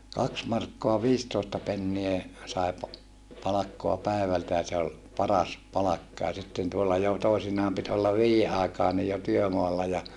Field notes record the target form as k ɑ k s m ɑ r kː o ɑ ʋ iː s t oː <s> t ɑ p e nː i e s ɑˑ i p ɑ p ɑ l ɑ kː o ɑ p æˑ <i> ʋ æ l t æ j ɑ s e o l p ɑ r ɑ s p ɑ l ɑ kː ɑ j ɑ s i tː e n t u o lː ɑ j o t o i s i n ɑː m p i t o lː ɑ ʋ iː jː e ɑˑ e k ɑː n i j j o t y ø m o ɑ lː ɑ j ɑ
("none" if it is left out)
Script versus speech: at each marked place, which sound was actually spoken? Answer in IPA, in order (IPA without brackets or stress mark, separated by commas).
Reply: s, e